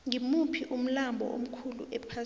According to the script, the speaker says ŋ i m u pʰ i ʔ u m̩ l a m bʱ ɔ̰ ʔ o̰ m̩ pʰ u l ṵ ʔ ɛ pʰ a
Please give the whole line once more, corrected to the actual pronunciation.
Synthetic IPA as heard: ŋ i m u pʰ i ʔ u m̩ l a m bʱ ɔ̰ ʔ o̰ m̩ kʰ u l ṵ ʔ ɛ pʰ a